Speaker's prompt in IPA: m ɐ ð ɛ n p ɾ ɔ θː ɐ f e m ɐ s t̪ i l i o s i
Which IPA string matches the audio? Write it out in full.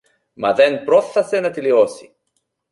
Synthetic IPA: m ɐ ð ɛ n p ɾ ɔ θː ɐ s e n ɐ t̪ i l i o s i

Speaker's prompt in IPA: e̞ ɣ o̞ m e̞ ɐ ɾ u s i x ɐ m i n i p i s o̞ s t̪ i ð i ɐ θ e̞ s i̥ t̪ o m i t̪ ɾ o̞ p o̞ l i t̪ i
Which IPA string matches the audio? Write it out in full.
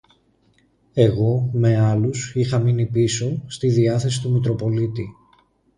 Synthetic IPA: e̞ ɣ o̞ m e̞ ɐ l u s i x ɐ m i n i p i s o̞ s t̪ i ð i ɐ θ e̞ s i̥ t̪ u m i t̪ ɾ o̞ p o̞ l i t̪ i

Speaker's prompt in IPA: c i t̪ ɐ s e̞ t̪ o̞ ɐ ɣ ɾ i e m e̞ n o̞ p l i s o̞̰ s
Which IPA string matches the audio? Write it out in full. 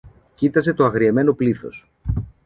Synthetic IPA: c i t̪ ɐ s e̞ t̪ o̞ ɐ ɣ ɾ i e m e̞ n o̞ p l i θ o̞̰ s

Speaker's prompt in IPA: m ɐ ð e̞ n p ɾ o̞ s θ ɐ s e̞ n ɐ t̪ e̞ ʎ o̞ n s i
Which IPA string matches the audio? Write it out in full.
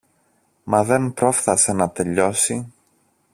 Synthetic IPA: m ɐ ð e̞ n p ɾ o̞ f θ ɐ s e̞ n ɐ t̪ e̞ ʎ o̞ s i

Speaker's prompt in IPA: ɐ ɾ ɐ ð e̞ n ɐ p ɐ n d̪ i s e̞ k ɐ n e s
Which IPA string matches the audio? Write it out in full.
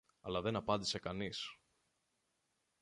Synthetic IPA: ɐ l ɐ ð e̞ n ɐ p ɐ n d̪ i s e̞ k ɐ n i s

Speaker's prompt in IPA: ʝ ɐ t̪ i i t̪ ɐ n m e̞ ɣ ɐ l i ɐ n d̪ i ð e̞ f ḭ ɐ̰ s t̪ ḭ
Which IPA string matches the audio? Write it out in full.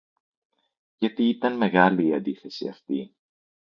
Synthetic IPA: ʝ ɐ t̪ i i t̪ ɐ n m e̞ ɣ ɐ l iː ɐ n d̪ i θ e̞ s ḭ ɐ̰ f t̪ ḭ

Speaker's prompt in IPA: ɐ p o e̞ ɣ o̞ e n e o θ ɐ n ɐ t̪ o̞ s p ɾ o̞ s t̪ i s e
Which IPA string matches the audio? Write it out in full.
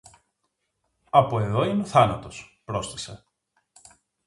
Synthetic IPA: ɐ p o e̞ ð o̞ i n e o θ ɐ n ɐ t̪ o̞ s p ɾ o̞ s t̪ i s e

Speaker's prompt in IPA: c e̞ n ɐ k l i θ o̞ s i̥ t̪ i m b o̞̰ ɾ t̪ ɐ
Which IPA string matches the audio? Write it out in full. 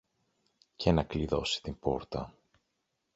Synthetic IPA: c e̞ n ɐ k l i ð o̞ s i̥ t̪ i m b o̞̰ ɾ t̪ ɐ

